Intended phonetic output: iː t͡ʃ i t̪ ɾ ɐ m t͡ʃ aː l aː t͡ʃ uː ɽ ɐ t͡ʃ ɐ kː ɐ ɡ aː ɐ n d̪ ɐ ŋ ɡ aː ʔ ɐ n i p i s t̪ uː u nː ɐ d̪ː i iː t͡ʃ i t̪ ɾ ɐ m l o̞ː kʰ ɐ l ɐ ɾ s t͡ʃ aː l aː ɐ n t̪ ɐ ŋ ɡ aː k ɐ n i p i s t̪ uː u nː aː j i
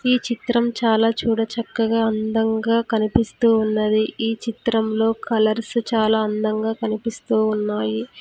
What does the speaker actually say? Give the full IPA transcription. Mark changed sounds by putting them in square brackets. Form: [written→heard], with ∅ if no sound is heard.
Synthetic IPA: iː t͡ʃ i t̪ ɾ ɐ m t͡ʃ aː l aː t͡ʃ uː ɽ ɐ t͡ʃ ɐ kː ɐ ɡ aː ɐ n d̪ ɐ ŋ ɡ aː [ʔ→k] ɐ n i p i s t̪ uː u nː ɐ [d̪ː→d̪] i iː t͡ʃ i t̪ ɾ ɐ m l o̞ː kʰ ɐ l ɐ ɾ s t͡ʃ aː l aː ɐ n [t̪→d̪] ɐ ŋ ɡ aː k ɐ n i p i s t̪ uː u nː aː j i